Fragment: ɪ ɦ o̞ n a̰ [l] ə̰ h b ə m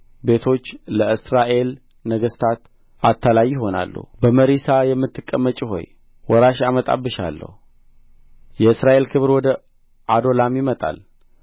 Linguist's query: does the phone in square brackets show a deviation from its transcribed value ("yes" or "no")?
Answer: yes